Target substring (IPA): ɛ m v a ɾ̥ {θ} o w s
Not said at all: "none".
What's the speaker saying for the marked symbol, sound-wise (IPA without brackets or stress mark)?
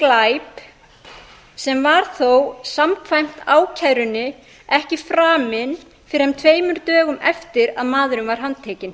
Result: θ